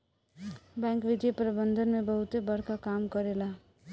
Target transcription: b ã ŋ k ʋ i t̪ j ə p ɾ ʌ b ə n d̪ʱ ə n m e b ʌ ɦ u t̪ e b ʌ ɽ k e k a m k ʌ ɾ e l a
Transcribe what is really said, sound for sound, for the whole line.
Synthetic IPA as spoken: b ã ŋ k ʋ i d̪ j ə p ɾ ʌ b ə n d̪ʱ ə n m e b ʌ ɦ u t̪ e b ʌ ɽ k a k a m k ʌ ɾ e l a